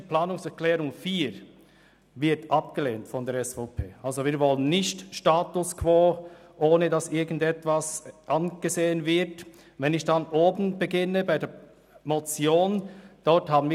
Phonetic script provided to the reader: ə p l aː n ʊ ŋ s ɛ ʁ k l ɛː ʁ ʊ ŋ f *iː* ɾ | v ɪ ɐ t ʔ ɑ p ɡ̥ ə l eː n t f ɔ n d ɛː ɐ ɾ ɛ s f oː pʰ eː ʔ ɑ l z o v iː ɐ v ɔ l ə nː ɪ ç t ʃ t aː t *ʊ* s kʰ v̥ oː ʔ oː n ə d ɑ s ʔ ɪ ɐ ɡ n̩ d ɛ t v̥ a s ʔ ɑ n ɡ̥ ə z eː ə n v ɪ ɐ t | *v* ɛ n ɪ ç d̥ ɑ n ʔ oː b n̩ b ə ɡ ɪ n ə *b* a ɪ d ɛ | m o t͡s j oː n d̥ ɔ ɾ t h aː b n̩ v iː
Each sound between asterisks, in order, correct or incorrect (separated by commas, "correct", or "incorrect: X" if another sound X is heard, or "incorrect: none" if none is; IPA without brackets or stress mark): correct, correct, correct, correct